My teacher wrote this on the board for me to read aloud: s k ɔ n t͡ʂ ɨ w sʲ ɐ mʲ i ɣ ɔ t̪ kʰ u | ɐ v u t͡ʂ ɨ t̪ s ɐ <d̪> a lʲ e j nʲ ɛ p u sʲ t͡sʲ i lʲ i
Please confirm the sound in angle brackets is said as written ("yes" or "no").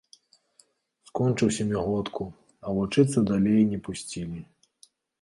yes